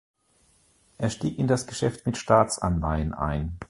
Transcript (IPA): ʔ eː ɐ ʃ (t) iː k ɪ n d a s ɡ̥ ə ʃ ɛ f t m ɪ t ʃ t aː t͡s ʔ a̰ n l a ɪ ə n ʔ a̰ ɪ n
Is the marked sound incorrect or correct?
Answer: correct